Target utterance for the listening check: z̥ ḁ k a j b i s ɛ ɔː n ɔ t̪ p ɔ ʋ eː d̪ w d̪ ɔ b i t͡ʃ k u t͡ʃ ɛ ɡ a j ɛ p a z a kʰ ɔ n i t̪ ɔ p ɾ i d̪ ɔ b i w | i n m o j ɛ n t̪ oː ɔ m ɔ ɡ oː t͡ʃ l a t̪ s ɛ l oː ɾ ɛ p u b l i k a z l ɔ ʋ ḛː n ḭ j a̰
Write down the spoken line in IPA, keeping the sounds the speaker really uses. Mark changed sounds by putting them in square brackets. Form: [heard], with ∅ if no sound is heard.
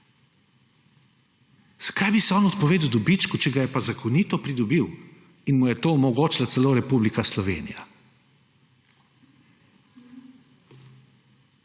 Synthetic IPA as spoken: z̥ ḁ k a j b i s ɛ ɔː n ɔ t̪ p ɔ ʋ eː d̪ w d̪ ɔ b i t͡ʃ k u t͡ʃ ɛ ɡ a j ɛ p a z a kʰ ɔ n i t̪ ɔ p ɾ i d̪ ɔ b i w | i n m [u] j ɛ [∅] t̪ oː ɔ m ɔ ɡ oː t͡ʃ l a t̪ s ɛ l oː ɾ ɛ p u b l i k a [s] l ɔ ʋ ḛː n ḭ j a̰